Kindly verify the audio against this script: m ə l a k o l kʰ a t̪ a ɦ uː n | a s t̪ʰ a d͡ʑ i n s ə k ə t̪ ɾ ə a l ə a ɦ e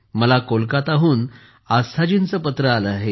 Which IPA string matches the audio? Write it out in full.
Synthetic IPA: m ə l a k o l k a t̪ a ɦ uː n | a s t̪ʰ a d͡ʑ i n t͡s ə p ə t̪ ɾ ə a l ə a ɦ e